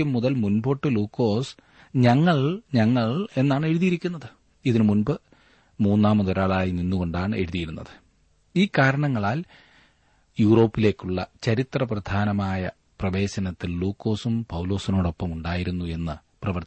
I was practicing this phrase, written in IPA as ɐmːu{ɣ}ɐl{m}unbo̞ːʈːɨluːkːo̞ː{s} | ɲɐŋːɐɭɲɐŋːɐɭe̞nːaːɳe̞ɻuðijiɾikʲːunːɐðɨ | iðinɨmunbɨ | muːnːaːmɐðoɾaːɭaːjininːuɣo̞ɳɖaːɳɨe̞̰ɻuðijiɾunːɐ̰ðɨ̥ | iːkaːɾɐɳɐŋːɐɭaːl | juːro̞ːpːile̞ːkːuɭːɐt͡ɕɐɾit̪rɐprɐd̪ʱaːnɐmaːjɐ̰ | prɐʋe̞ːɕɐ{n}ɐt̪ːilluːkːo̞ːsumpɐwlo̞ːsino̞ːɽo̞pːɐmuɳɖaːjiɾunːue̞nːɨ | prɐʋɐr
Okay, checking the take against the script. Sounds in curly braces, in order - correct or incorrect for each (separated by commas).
incorrect, correct, correct, correct